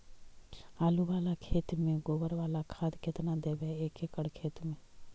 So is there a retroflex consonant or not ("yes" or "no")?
yes